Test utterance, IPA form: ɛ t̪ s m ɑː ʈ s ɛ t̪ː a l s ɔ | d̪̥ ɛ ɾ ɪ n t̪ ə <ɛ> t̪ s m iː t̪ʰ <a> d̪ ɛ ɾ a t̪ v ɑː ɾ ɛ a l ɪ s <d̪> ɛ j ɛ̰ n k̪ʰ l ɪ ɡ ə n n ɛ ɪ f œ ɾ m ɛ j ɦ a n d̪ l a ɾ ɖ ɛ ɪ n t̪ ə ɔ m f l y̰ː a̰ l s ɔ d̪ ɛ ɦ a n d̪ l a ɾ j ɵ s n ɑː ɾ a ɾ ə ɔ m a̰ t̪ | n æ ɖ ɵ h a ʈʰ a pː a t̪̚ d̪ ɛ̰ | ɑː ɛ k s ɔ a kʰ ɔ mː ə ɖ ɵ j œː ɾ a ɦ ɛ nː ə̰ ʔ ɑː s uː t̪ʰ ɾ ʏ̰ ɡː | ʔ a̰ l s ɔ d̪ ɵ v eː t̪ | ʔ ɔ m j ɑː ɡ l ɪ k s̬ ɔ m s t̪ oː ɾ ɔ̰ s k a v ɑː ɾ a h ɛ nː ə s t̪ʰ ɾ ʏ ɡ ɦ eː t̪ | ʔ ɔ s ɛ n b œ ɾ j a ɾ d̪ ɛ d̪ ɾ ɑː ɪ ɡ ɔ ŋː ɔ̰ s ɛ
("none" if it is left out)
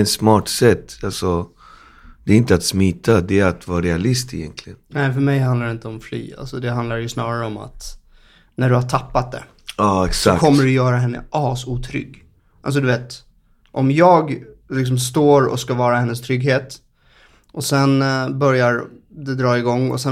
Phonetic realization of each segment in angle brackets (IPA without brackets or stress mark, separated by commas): a, a, t̪